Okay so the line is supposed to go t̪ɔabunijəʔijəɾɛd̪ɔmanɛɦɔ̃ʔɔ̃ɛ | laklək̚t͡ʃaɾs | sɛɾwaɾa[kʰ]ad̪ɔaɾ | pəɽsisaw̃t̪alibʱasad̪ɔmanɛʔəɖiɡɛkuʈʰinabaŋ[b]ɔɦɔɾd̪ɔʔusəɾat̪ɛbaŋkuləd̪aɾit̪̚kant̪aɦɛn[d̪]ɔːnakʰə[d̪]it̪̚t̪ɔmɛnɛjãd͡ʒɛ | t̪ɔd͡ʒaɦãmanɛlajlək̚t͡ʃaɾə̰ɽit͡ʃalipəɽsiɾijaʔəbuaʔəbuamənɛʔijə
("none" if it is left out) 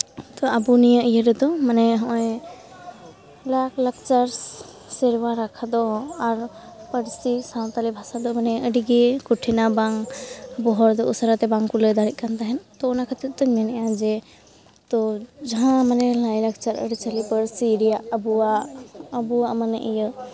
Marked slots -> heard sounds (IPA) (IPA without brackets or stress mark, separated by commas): kʰ, b, t̪, t̪